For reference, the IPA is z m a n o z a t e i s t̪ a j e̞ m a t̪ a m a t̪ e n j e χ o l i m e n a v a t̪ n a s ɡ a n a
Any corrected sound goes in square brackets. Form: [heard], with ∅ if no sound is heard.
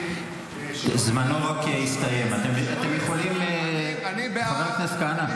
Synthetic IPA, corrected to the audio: z m a n o [ʁ] a [k] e i s t̪ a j e̞ m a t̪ [e] m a t̪ e [m] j e χ o l i m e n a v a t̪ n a s [k] a n a